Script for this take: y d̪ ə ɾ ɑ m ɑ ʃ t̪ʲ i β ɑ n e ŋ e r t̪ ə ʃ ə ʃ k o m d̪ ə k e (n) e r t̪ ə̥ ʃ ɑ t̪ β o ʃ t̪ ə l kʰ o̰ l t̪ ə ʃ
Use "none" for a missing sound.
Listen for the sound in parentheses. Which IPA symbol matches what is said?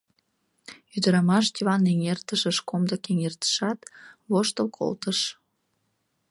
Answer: ŋ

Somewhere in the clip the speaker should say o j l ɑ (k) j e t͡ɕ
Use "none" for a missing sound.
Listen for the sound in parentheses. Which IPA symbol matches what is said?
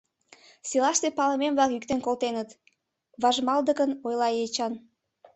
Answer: none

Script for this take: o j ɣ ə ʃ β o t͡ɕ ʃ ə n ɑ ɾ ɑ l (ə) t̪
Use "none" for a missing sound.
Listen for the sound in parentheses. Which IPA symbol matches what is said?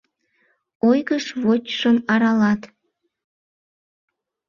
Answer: ɑ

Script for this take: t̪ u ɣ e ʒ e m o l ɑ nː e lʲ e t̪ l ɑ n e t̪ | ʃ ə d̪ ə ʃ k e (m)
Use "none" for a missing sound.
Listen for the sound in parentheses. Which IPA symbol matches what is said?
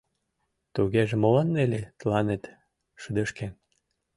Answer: n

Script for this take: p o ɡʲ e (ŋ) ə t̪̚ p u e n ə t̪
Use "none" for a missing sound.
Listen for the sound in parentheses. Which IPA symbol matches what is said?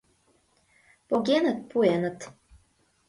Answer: n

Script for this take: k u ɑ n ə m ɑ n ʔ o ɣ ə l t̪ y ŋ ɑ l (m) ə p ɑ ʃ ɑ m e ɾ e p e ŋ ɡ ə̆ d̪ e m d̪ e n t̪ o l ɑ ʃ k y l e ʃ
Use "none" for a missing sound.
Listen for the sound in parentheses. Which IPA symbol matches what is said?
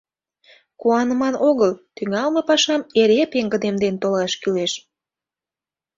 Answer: m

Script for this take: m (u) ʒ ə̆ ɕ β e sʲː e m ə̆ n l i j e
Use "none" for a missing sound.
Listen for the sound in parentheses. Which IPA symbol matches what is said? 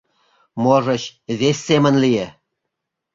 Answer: o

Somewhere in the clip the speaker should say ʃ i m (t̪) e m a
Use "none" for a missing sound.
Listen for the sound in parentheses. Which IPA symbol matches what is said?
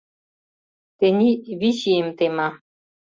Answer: t̪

